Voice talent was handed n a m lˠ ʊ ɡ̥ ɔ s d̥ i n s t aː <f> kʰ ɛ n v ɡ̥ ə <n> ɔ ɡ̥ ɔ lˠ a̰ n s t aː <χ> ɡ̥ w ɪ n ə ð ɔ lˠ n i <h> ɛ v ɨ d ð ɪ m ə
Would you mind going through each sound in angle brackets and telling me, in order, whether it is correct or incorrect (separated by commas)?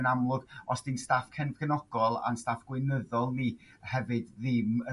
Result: correct, correct, incorrect, correct